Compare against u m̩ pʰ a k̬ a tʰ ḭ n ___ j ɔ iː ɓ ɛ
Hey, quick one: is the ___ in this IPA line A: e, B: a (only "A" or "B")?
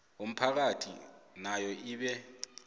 B